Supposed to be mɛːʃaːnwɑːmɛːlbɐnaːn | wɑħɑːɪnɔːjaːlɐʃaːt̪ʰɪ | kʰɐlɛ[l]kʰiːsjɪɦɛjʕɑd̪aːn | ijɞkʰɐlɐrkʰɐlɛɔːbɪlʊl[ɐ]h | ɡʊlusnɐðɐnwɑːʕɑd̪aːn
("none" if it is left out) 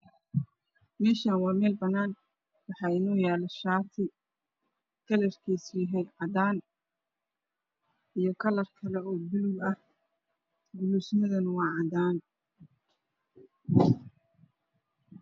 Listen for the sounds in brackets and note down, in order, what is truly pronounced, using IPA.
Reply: r, ɐ

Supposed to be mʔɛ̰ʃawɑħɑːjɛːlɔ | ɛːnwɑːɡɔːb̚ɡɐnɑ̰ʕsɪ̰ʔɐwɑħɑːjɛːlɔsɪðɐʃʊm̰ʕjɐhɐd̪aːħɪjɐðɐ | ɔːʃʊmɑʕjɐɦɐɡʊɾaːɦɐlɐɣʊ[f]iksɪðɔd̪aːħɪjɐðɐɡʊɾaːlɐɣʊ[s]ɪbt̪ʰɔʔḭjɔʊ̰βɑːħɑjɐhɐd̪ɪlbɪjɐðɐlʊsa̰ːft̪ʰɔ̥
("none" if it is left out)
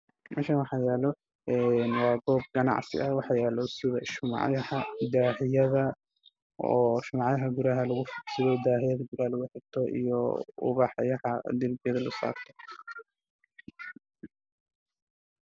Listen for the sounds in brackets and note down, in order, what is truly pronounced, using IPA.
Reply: f, ħ

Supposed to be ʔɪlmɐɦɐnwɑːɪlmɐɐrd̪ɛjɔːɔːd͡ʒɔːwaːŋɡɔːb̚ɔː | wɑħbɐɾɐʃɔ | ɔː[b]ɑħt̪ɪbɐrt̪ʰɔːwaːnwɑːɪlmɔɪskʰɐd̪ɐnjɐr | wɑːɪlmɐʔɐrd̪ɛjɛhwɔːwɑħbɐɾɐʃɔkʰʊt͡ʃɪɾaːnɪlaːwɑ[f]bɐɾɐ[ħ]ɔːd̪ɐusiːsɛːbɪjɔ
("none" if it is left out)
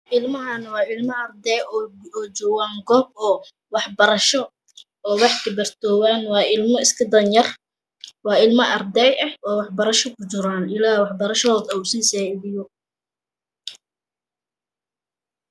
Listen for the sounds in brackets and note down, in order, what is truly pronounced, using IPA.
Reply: w, ħ, ʃ

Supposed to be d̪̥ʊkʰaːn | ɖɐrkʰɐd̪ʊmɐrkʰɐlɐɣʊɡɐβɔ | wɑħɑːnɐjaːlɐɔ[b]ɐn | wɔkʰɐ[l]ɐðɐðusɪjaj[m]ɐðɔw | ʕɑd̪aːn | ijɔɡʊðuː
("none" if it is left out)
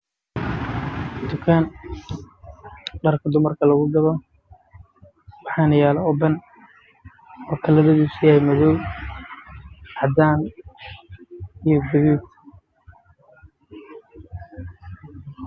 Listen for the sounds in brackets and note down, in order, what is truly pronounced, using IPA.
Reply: b, l, m

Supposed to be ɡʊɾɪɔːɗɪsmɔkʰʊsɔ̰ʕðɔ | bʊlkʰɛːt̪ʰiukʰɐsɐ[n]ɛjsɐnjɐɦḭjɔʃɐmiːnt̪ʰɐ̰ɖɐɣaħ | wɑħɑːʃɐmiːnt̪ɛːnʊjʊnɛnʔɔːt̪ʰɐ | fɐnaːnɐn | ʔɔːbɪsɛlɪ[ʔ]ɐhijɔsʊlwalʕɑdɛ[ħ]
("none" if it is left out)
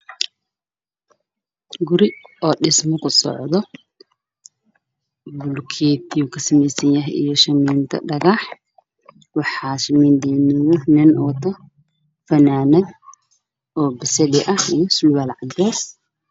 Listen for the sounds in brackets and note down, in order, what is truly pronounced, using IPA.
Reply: m, ʔ, s

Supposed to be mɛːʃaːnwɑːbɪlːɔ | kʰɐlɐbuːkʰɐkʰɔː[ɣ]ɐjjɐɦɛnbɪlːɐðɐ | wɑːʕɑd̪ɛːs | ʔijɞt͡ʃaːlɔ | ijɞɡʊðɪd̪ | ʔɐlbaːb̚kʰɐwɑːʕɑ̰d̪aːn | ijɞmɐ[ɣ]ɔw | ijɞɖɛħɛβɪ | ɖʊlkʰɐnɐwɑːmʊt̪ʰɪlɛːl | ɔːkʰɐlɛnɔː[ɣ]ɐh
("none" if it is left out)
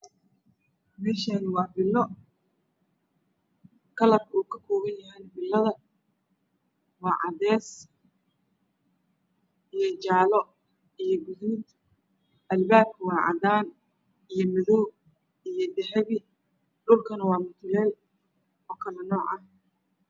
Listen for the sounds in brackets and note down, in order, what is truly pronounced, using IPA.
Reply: ɣ, ð, ʕ

